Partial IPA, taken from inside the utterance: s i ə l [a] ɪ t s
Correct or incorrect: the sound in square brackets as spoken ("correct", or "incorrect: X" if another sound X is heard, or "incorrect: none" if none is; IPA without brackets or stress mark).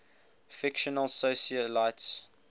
correct